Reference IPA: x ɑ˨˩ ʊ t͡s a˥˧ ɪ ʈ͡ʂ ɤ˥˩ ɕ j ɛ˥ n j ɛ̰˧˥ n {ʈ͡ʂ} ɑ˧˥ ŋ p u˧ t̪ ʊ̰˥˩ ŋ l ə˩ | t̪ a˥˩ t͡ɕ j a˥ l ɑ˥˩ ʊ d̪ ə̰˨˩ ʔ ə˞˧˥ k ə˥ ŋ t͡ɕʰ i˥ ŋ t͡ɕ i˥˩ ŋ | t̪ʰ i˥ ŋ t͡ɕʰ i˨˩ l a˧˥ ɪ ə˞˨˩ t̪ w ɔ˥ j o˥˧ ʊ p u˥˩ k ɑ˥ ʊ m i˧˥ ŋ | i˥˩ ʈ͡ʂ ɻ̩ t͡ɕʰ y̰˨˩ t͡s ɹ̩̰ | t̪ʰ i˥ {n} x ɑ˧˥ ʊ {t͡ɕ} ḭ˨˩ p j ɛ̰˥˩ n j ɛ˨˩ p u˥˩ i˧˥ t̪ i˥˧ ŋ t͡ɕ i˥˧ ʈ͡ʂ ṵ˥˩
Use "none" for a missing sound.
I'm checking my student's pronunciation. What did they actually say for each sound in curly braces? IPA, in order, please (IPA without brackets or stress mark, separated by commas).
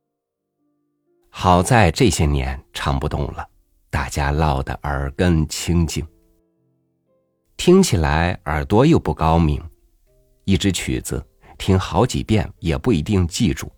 ʈ͡ʂʰ, ŋ, t͡ɕ